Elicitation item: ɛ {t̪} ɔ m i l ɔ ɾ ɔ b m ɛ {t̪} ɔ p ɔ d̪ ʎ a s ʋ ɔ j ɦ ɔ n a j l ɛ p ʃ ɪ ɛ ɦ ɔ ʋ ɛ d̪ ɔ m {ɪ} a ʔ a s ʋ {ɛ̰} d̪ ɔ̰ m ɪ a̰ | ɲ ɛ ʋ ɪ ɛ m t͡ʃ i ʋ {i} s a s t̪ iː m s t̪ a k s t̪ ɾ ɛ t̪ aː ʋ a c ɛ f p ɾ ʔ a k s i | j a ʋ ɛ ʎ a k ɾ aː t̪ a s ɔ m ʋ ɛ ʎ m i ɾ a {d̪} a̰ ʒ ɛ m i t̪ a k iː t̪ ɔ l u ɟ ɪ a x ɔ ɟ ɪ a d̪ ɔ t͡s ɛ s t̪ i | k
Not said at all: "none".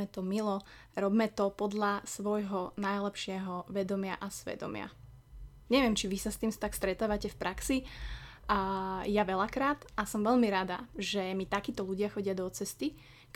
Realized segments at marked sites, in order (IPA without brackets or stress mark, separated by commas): t̪, t̪, ɪ, ɛ̰, i, d̪